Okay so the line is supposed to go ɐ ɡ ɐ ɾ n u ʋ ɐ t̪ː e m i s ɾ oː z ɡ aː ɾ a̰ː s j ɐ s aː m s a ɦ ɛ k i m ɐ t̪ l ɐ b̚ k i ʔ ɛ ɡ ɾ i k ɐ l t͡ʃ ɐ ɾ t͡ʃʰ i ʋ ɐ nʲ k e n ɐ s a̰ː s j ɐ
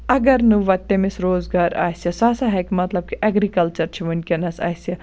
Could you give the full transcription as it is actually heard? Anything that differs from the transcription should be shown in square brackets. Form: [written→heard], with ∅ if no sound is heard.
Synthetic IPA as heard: ɐ ɡ ɐ ɾ n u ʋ ɐ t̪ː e m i s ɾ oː z ɡ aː ɾ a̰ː s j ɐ s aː [m→∅] s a ɦ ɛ k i m ɐ t̪ l ɐ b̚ k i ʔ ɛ ɡ ɾ i k ɐ l t͡ʃ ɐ ɾ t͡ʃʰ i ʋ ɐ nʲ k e n ɐ s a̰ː s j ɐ